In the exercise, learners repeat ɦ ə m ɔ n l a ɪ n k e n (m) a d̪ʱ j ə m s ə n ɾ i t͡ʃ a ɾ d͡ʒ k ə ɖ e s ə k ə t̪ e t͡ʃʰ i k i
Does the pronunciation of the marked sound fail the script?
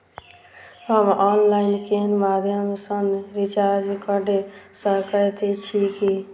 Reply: no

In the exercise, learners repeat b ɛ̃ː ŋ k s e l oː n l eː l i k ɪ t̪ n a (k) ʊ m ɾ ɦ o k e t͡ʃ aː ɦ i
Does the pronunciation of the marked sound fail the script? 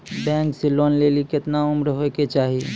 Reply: yes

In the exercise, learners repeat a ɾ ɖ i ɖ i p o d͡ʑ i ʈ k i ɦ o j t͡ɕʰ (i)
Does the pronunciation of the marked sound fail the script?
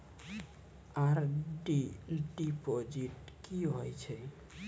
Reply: yes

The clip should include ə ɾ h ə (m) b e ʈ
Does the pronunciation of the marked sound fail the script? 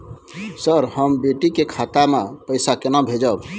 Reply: no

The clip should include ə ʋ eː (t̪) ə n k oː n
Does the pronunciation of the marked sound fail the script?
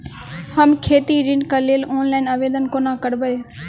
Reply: yes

